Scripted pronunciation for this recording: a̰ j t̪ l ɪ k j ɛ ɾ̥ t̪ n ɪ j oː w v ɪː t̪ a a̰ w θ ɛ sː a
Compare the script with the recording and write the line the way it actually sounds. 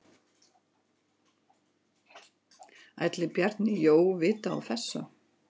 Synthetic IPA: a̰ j t̪ l ɪ p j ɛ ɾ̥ t̪ n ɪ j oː w v ɪː t̪ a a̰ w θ ɛ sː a